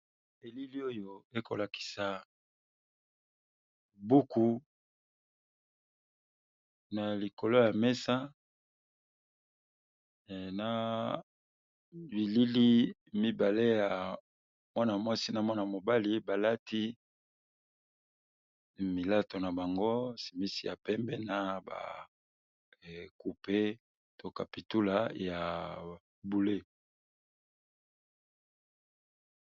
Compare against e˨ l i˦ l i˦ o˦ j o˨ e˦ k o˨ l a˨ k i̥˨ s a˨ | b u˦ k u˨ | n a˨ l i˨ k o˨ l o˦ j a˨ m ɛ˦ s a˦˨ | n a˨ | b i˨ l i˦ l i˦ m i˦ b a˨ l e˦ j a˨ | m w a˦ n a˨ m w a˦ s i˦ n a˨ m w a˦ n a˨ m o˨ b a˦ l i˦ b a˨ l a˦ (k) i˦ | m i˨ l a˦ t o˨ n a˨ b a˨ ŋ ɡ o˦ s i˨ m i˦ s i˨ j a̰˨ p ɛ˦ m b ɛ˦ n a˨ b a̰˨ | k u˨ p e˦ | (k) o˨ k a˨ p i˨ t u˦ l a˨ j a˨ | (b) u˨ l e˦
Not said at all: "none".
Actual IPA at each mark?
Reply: t, t, b

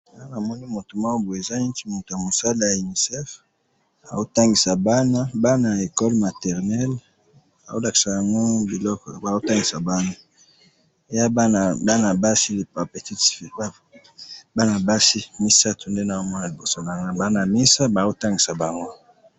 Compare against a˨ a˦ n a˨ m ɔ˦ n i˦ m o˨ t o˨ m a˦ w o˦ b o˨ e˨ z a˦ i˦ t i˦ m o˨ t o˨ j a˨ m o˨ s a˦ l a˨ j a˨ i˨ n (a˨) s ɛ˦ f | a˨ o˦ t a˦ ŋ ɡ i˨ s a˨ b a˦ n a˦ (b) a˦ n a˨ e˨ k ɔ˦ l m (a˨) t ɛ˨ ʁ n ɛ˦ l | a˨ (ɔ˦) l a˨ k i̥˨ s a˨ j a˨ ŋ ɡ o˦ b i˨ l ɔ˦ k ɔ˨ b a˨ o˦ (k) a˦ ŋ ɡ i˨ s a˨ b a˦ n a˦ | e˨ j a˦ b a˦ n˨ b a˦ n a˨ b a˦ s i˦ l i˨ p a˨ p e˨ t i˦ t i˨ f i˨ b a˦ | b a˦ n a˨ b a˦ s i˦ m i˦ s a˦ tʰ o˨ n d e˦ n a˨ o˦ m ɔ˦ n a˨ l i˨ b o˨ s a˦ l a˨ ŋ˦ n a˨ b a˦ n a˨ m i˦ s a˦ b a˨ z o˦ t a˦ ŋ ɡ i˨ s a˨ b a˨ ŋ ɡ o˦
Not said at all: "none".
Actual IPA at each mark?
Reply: i˨, b, a˨, o˦, t

